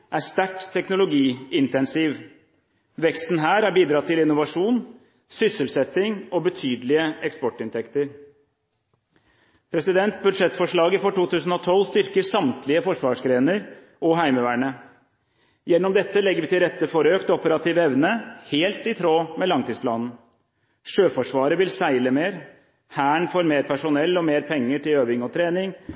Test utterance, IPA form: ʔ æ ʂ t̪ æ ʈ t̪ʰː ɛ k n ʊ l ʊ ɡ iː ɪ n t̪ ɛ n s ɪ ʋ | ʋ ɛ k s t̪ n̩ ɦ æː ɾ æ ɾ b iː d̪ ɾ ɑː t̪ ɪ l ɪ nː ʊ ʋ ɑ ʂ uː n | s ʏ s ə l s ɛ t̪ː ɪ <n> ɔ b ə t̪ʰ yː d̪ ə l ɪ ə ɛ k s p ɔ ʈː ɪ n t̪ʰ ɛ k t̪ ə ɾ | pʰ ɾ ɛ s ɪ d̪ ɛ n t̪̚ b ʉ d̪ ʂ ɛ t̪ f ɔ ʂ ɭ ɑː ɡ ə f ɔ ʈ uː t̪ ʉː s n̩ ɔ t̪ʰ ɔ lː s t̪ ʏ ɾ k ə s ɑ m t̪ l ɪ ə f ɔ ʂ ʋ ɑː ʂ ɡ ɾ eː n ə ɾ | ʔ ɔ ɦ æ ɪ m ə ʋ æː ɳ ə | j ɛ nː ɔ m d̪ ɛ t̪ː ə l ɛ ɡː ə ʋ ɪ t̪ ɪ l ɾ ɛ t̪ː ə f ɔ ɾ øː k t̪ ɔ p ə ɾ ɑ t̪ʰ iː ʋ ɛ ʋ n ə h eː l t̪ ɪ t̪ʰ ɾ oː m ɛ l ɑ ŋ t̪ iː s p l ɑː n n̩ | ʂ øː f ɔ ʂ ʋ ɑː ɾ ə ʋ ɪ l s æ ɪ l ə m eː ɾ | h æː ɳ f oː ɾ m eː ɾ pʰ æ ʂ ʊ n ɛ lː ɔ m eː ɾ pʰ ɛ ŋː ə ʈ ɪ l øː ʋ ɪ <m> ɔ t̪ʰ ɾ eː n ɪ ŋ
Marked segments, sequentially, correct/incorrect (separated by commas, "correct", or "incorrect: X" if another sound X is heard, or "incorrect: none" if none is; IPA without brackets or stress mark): incorrect: ŋ, incorrect: ŋ